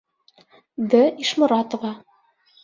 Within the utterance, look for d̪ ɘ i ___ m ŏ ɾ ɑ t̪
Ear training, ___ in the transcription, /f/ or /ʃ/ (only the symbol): ʃ